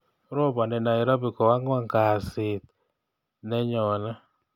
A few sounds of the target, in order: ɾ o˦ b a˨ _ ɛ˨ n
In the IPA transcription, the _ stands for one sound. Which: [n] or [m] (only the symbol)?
n